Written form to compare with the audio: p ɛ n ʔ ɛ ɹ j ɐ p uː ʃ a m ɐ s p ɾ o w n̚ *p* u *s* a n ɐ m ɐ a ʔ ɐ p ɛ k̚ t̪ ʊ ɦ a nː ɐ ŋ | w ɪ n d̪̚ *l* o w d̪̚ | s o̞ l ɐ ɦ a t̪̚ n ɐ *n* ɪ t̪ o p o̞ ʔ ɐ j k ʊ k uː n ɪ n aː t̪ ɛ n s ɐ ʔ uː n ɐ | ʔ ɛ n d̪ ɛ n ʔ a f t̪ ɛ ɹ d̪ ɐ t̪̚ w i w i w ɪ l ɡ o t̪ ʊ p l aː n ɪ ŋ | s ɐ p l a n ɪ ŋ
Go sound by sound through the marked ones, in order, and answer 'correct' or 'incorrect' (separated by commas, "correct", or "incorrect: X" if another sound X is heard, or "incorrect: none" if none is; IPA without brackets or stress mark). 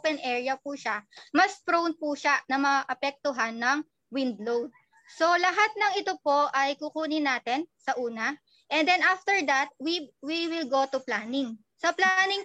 correct, incorrect: ʃ, correct, incorrect: ŋ